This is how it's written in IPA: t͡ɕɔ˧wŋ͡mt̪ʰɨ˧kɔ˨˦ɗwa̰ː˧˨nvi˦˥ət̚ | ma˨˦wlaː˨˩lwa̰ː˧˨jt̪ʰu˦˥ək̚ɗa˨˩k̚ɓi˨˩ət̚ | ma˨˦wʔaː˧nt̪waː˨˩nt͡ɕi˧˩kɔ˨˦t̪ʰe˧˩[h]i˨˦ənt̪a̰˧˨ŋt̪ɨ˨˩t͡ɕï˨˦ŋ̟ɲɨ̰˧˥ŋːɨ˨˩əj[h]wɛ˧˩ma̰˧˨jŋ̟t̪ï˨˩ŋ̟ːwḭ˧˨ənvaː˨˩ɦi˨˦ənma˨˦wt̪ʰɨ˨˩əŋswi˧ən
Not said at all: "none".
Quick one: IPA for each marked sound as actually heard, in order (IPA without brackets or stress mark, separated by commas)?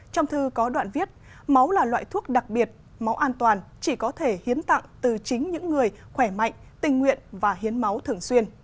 h, x